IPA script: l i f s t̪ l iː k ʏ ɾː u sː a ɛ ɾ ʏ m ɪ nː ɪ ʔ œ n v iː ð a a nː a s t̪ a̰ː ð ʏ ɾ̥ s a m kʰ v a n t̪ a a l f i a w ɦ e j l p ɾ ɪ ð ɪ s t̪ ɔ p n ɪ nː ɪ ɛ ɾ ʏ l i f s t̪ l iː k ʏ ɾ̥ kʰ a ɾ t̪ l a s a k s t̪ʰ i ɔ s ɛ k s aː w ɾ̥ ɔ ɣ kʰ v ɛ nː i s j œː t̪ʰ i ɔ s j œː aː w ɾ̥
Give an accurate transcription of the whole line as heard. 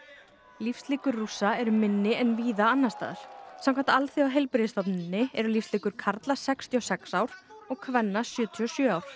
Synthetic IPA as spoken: l i f s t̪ l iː k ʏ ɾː u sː a ɛ ɾ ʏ m ɪ nː ɪ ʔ ɛ n v iː ð a a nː a s t̪ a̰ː ð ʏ ɾ̥ s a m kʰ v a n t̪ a a l θ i a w ɦ e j l p ɾ ɪ ð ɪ s t̪ ɔ p n ɪ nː ɪ ɛ ɾ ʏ l i f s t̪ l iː k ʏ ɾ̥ kʰ a ɾ t̪ l a s ɛ k s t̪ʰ i ɔ s ɛ k s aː w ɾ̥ ɔ ɣ kʰ v ɛ nː a s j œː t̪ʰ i ɔ s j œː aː w ɾ̥